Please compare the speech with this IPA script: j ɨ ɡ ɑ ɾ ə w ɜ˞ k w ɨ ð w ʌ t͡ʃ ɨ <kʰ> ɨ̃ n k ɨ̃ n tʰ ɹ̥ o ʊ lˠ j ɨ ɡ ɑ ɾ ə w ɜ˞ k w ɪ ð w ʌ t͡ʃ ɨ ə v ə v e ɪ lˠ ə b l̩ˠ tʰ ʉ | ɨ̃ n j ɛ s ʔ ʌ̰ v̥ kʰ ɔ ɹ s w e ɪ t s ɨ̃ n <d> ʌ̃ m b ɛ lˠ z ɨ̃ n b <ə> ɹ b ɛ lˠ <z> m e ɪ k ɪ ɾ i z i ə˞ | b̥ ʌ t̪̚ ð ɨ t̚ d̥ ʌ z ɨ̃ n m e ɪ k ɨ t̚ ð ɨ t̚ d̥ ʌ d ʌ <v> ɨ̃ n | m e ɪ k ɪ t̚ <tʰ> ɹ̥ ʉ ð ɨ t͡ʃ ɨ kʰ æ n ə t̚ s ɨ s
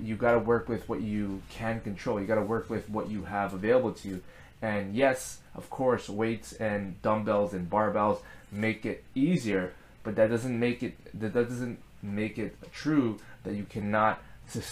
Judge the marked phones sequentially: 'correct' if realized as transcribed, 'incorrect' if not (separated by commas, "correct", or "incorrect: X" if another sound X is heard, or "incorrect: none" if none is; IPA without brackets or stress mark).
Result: correct, correct, incorrect: ɑ, correct, incorrect: z, correct